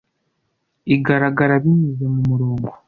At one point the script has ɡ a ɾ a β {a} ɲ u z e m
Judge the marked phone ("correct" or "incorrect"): incorrect